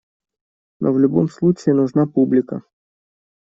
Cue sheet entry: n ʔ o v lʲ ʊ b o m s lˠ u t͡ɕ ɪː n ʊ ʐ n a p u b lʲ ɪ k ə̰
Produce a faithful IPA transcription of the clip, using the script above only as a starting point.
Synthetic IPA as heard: n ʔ o v lʲ ʊ b o m s lˠ u t͡ɕ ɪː n ʊ ʐ n a p u b lʲ ɪ k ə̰